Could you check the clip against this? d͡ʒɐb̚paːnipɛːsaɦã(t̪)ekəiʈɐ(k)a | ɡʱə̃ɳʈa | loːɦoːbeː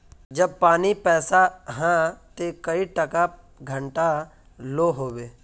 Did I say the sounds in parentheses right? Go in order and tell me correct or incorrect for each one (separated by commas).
correct, correct